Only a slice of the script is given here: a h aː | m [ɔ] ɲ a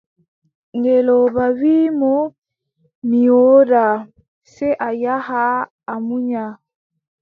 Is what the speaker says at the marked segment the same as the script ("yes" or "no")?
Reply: no